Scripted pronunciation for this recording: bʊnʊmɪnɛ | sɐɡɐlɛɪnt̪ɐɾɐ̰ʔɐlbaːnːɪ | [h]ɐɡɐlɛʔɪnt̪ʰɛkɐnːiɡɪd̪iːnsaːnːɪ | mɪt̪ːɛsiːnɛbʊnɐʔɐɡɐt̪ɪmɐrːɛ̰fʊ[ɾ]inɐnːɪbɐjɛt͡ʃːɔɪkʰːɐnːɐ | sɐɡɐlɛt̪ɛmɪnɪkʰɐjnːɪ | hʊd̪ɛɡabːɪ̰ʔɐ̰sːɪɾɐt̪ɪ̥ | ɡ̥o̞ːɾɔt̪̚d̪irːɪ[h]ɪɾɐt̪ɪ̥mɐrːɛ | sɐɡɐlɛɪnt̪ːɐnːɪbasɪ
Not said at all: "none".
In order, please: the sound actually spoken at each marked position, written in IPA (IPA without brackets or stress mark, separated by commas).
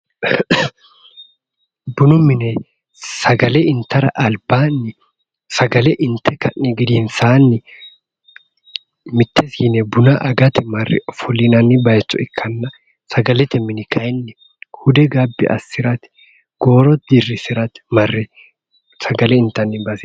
s, l, s